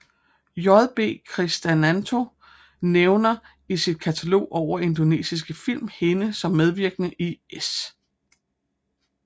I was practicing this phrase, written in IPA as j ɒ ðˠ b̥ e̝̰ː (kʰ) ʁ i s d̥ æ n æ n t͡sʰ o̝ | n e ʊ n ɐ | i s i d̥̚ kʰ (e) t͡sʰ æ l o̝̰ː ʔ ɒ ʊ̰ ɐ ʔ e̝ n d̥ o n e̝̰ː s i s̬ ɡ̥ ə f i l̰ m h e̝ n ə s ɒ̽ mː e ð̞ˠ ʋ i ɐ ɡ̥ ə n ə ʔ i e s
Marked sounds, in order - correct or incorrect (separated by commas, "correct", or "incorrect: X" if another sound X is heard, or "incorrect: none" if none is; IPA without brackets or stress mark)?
correct, incorrect: æ